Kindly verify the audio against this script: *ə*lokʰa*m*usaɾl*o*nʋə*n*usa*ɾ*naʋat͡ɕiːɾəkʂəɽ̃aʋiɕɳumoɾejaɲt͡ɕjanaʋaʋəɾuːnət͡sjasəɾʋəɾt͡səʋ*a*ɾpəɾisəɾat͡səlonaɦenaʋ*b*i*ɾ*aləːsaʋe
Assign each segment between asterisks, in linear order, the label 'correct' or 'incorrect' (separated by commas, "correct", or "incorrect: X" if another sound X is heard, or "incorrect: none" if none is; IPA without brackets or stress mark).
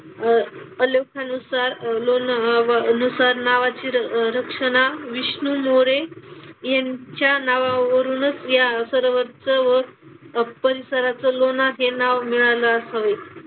correct, incorrect: n, correct, correct, correct, incorrect: ə, incorrect: m, incorrect: ɭ